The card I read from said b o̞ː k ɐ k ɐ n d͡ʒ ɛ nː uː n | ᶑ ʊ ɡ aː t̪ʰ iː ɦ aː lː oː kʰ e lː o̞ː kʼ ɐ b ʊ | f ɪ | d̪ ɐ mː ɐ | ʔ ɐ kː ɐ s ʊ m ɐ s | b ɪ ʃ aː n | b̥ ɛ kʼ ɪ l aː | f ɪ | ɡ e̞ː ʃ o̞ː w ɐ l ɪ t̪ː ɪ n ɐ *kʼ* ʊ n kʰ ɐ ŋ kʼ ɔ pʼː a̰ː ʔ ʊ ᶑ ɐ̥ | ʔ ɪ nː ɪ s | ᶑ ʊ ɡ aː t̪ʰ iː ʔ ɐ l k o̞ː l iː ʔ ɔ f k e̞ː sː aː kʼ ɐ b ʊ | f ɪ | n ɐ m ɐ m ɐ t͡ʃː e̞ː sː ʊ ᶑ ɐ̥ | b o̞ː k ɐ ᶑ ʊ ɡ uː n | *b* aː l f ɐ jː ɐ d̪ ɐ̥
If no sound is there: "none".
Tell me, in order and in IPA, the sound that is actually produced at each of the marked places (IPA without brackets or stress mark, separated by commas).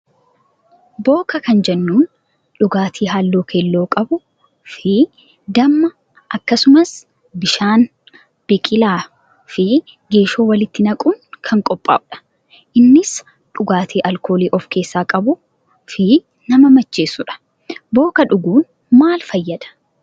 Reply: kʼ, m